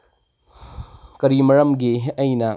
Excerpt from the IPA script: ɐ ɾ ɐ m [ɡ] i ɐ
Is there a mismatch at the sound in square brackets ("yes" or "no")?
no